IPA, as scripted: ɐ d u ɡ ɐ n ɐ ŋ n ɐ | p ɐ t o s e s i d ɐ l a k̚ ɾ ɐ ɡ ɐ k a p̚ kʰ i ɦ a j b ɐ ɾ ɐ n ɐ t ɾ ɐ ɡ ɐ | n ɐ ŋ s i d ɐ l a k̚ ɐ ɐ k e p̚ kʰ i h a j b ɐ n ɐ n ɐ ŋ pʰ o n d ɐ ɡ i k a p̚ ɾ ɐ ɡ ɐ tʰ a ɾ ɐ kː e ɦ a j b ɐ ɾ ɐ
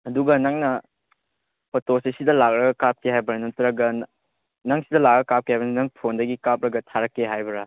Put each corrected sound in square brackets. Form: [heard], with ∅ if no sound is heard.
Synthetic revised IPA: ɐ d u ɡ ɐ n ɐ ŋ n ɐ | p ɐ t o s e s i d ɐ l a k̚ ɾ ɐ ɡ ɐ k a p̚ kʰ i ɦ a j b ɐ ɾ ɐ n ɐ t ɾ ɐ ɡ ɐ | n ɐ ŋ s i d ɐ l a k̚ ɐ ɐ k [a] p̚ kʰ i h a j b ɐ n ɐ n ɐ ŋ pʰ o n d ɐ ɡ i k a p̚ ɾ ɐ ɡ ɐ tʰ a ɾ ɐ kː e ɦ a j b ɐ ɾ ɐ

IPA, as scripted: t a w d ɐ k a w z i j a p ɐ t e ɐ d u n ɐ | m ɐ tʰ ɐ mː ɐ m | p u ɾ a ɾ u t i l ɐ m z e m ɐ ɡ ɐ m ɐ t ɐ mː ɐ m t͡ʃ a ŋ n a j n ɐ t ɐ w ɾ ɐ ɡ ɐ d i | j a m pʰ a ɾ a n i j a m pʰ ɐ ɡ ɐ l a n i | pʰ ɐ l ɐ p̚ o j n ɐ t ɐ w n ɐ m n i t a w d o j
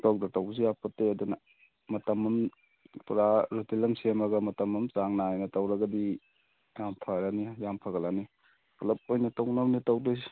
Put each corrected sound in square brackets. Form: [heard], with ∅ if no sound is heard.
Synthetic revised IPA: t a w d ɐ [t] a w z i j a p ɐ t e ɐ d u n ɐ | m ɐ [t] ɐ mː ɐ m | p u ɾ a ɾ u t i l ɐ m [s] e m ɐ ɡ ɐ m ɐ t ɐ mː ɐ m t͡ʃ a ŋ n a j n ɐ t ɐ w ɾ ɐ ɡ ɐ d i | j a m pʰ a ɾ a n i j a m pʰ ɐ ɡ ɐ l a n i | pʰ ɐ l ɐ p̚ o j n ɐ t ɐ w n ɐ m n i t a w d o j

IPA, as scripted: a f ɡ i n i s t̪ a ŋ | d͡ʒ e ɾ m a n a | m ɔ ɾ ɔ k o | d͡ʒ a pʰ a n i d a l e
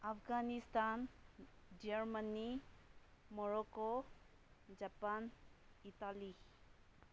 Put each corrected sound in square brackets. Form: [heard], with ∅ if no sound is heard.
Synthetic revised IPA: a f ɡ [a] n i s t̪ a [n] | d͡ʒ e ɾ m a n [i] | m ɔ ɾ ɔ k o | d͡ʒ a [p] a n i [t] a l [i]

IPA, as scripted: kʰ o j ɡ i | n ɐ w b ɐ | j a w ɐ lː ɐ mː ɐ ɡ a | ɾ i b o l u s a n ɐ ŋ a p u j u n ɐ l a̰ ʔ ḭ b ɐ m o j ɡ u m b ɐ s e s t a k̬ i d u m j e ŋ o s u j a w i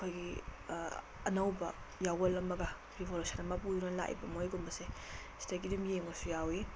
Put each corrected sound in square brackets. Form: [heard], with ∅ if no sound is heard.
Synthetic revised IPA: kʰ o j ɡ i | n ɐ w b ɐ | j a w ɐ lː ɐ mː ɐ ɡ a | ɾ i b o l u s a n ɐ [m] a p u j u n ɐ l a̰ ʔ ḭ b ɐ m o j ɡ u m b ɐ s e s t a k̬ i d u m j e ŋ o s u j a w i

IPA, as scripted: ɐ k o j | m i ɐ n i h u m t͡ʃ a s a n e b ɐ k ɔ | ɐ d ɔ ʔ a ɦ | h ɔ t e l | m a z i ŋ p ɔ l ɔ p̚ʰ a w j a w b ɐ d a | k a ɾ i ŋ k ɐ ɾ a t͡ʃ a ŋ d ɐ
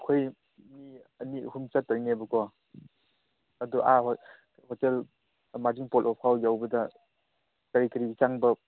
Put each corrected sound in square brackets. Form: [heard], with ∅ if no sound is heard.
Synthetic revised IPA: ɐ [kʰ] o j | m i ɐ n i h u m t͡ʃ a [t] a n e b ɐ k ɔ | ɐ d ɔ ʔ a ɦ | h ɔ t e l | m a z i ŋ p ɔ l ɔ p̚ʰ a w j a w b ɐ d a | k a ɾ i [∅] k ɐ ɾ [i] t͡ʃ a ŋ [b] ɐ

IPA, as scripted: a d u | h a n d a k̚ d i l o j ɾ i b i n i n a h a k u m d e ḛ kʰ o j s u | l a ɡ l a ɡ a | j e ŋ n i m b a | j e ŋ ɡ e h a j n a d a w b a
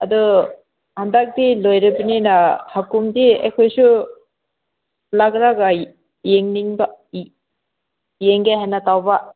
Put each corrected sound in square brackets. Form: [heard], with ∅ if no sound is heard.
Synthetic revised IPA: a d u | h a n d a k̚ d i l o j ɾ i b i n i n a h a k u m d [i] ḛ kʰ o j s u | l a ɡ [ɾ] a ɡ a | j e ŋ n i [ŋ] b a | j e ŋ ɡ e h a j n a [t] a w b a

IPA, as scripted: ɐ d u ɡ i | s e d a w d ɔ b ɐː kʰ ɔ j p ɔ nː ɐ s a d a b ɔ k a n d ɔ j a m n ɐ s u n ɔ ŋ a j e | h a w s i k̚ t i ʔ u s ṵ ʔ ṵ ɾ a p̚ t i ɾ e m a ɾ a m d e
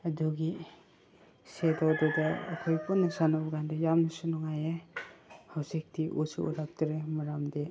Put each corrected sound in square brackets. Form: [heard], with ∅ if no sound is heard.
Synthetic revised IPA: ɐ d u ɡ i | s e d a w d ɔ [d] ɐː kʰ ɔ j p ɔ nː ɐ s a [n] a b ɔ [ɡ] a n d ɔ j a m n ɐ s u n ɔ ŋ a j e | h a w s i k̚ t i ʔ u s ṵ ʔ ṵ ɾ a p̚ t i ɾ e m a ɾ a m d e

